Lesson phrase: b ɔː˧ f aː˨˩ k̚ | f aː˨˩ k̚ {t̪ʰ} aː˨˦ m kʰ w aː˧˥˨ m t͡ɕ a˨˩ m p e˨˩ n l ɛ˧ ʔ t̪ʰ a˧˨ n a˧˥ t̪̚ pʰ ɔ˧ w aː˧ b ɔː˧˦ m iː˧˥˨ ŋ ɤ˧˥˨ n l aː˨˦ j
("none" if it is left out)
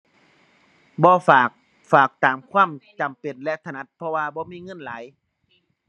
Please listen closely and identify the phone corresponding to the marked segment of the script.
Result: t̪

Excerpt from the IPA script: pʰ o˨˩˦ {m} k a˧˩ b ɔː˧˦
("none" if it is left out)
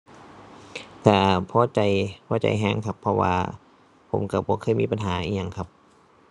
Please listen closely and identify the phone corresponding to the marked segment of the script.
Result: m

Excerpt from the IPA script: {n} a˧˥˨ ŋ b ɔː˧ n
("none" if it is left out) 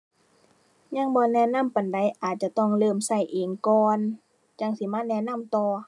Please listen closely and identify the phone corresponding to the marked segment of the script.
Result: ɲ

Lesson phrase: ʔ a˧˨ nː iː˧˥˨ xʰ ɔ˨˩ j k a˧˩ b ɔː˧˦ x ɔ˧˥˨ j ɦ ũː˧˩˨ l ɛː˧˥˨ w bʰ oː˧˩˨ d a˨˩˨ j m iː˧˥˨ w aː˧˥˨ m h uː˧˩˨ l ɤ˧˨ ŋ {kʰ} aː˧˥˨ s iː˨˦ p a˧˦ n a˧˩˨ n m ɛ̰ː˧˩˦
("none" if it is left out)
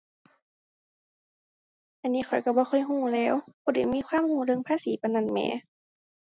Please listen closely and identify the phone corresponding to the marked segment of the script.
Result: pʰ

